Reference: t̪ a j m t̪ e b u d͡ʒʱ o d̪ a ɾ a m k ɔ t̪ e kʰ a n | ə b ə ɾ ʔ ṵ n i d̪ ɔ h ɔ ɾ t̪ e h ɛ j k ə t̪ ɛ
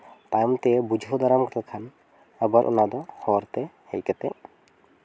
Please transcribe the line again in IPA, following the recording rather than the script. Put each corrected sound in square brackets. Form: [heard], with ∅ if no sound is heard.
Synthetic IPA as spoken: t̪ a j m t̪ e b u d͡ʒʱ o d̪ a ɾ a m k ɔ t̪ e kʰ a n | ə b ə ɾ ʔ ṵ n [a] d̪ ɔ h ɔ ɾ t̪ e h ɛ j k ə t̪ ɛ